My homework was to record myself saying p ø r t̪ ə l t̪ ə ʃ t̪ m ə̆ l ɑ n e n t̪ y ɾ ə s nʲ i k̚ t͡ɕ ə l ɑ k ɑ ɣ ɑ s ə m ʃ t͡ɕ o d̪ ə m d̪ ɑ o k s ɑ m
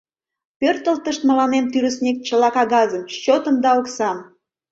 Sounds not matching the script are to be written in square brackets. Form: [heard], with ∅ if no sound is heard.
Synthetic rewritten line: p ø r t̪ ə l t̪ ə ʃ t̪ m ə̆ l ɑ n e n t̪ y ɾ ə s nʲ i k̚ t͡ɕ ə l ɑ k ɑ ɣ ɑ [z] ə m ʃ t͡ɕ o [t̪] ə m d̪ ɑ o k s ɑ m